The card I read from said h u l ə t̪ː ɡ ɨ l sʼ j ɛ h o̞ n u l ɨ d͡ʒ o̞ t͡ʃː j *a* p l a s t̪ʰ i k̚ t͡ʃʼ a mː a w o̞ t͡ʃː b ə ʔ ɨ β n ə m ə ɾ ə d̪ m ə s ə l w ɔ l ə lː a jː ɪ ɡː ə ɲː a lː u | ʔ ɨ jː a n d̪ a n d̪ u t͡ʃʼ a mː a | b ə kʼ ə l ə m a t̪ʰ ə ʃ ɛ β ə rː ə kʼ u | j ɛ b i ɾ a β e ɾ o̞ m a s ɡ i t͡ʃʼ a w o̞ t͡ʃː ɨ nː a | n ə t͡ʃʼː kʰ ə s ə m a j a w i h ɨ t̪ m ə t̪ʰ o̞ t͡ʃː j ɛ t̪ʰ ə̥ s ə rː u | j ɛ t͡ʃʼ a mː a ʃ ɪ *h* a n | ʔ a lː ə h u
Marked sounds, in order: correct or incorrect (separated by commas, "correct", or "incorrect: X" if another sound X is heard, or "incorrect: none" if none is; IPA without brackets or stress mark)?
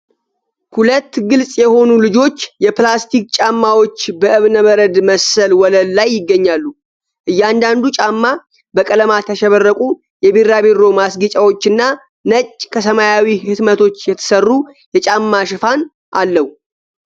incorrect: ɛ, incorrect: f